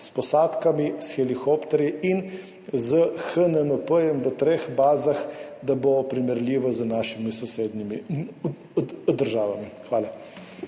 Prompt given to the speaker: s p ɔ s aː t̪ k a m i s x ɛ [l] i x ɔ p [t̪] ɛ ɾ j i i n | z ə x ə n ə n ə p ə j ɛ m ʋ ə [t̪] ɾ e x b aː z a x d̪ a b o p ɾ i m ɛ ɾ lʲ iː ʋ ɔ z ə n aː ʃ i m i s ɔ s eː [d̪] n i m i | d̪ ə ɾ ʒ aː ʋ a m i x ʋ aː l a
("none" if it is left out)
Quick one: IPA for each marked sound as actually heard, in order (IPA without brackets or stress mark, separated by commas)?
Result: l, t̪, t̪, d̪